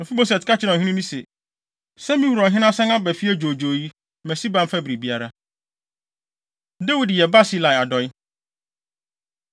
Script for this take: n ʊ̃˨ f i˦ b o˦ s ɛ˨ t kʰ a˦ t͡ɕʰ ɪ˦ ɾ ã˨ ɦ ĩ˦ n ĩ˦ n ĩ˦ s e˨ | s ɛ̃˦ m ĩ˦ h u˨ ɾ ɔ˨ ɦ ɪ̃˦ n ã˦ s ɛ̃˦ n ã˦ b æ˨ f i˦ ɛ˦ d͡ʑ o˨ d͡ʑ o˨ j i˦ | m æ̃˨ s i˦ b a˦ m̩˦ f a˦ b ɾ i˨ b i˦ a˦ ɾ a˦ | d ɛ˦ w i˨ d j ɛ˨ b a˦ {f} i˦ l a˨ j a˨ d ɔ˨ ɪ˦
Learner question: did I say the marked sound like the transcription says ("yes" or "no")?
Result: no